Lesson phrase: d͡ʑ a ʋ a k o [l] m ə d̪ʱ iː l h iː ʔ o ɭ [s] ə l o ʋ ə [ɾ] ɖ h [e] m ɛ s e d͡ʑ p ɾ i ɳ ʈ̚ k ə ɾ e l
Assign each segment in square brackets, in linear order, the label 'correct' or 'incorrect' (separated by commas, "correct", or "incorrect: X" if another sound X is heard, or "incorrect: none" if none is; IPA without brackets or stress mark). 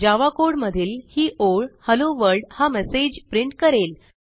incorrect: ɽ, incorrect: h, correct, incorrect: a